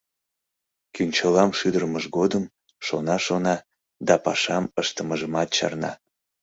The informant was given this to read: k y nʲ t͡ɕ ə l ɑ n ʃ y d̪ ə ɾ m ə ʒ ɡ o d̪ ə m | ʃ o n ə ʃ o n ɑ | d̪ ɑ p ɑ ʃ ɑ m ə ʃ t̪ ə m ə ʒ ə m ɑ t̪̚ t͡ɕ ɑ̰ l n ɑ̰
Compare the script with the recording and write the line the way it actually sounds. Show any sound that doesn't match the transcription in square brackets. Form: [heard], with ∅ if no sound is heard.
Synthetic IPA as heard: k y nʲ t͡ɕ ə l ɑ [m] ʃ y d̪ ə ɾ m ə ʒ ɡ o d̪ ə m | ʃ o n [ɑ] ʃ o n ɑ | d̪ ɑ p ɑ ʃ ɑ m ə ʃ t̪ ə m ə ʒ ə m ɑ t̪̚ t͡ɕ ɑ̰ [r] n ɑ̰